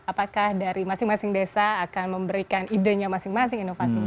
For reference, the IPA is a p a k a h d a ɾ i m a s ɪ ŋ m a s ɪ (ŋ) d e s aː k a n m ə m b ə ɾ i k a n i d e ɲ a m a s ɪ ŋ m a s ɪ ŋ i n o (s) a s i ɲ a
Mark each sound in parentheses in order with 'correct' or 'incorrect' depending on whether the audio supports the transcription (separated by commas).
correct, incorrect